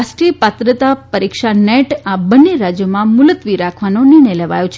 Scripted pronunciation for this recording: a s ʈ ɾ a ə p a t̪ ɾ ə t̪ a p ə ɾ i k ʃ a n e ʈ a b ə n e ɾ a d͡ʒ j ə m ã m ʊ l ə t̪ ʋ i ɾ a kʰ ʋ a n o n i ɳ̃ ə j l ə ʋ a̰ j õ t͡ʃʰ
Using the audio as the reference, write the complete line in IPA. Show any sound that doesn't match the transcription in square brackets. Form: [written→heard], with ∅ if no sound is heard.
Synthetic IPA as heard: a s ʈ ɾ [a→i] ə p a t̪ ɾ ə t̪ a p ə ɾ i k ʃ a n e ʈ a b ə n e ɾ a d͡ʒ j ə m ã m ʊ l ə t̪ ʋ i ɾ a kʰ ʋ a n o n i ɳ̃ ə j l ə ʋ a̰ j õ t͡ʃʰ